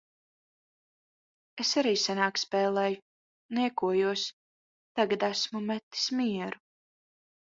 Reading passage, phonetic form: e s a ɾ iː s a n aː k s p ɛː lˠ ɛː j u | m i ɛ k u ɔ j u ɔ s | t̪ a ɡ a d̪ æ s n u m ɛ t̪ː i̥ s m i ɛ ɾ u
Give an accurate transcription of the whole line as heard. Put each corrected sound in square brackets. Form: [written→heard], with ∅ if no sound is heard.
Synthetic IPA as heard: e s a ɾ iː s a n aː k s p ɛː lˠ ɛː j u | [m→n] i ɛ k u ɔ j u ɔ s | t̪ a ɡ a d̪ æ s [n→m] u m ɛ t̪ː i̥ s m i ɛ ɾ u